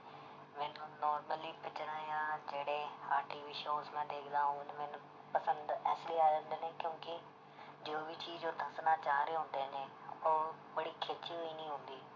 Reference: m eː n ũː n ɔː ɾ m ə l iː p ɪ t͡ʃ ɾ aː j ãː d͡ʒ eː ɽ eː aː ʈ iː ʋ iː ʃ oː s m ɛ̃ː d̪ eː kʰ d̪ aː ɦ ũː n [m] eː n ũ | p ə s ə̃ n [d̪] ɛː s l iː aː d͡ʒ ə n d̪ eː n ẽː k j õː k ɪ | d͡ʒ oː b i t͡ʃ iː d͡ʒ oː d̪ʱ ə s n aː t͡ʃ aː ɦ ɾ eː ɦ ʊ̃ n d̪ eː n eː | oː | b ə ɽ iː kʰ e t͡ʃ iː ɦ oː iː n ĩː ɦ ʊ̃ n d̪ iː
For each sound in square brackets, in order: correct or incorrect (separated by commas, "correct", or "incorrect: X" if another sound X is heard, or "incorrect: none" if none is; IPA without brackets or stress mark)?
correct, correct